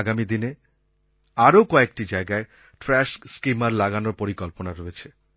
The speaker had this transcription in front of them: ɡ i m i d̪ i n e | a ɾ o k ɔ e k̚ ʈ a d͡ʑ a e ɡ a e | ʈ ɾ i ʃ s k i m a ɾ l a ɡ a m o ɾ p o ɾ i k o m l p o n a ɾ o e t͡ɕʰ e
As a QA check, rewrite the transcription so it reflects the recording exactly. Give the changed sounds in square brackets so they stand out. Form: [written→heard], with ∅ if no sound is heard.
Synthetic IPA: ɡ [i→a] m i d̪ i n e | a ɾ o k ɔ e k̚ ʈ [a→i] d͡ʑ a e ɡ a e | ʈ ɾ [i→ɛ] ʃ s k i m a ɾ l a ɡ a [m→n] o ɾ p o ɾ i k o [m→∅] l p o n a ɾ o e t͡ɕʰ e